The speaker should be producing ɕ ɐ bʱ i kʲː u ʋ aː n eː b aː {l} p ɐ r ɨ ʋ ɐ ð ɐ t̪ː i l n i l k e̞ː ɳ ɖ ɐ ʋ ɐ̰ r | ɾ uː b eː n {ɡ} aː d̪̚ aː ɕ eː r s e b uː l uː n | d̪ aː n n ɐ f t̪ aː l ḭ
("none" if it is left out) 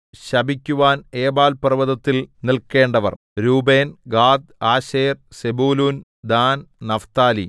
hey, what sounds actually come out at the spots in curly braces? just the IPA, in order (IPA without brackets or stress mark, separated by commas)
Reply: l, ɡ